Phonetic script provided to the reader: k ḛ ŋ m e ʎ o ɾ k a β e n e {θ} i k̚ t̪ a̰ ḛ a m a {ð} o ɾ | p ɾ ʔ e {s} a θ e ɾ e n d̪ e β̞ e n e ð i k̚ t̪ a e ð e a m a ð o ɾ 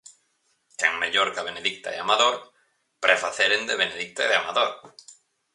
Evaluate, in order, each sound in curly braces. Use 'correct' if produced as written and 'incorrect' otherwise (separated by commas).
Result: incorrect, correct, incorrect